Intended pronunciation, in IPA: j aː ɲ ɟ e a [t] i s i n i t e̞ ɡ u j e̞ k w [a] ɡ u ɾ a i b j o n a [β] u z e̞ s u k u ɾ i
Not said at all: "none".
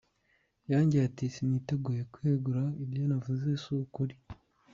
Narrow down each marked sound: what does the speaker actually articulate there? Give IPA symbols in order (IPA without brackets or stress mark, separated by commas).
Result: t, e, v